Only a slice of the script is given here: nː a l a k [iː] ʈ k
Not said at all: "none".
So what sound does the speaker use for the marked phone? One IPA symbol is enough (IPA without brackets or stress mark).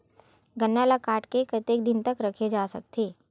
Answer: aː